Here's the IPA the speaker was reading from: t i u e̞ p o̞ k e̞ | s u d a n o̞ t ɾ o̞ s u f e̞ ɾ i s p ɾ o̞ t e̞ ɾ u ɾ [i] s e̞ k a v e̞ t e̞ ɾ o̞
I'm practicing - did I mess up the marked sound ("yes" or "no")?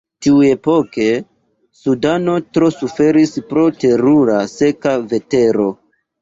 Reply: yes